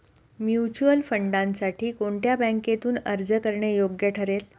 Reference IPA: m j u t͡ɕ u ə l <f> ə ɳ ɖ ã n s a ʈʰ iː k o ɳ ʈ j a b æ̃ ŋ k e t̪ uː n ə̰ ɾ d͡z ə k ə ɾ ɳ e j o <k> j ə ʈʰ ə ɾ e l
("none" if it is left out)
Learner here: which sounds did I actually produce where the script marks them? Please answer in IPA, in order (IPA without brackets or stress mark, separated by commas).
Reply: f, ɡ